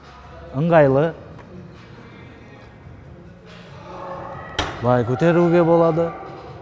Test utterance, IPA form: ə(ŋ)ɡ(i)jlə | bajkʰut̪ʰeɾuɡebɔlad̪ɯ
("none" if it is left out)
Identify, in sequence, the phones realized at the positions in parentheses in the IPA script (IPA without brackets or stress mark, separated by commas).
ŋ, a